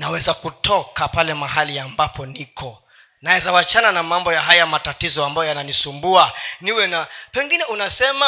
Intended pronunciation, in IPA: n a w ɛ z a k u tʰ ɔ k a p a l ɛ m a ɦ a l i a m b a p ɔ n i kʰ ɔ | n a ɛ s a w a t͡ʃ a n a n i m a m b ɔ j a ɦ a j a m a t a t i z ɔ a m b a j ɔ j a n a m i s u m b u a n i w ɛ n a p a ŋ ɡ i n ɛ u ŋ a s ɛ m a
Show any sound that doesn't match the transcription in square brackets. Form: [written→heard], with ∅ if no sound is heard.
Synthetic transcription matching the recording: n a w ɛ z a k u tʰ ɔ k a p a l ɛ m a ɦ a l i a m b a p ɔ n i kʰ ɔ | n a ɛ [s→z] a w a t͡ʃ a n a n [i→a] m a m b ɔ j a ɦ a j a m a t a t i z ɔ a m b a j ɔ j a n a [m→n] i s u m b u a n i w ɛ n a p [a→ɛ] ŋ ɡ i n ɛ u [ŋ→n] a s ɛ m a